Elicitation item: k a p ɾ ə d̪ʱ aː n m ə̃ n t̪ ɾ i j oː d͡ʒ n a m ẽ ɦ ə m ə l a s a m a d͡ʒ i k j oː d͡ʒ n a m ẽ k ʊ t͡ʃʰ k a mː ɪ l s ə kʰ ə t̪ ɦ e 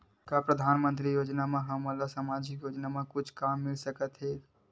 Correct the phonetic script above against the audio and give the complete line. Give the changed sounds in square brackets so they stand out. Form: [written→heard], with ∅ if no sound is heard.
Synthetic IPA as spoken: k a p ɾ ə d̪ʱ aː n m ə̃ n t̪ ɾ i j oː d͡ʒ n a m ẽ ɦ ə m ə l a s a m a d͡ʒ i k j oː d͡ʒ n a m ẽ k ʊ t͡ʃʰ k a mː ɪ l s ə [kʰ→k] ə t̪ ɦ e